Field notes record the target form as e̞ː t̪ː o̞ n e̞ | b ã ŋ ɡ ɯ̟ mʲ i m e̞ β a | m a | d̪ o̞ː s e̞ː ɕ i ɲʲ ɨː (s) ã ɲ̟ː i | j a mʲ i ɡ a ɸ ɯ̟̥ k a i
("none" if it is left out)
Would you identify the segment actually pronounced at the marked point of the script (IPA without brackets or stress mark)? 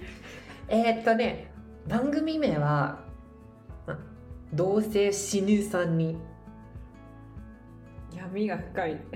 s